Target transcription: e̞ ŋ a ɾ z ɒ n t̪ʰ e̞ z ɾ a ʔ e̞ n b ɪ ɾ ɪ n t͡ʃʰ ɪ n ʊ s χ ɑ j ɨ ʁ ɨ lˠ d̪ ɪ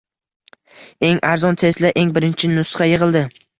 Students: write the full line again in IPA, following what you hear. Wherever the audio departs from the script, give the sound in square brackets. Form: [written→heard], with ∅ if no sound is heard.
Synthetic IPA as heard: e̞ ŋ a ɾ z ɒ n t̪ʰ e̞ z [ɾ→l] a ʔ e̞ [n→ŋ] b ɪ ɾ ɪ n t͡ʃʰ ɪ n ʊ s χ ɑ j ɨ ʁ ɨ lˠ d̪ ɪ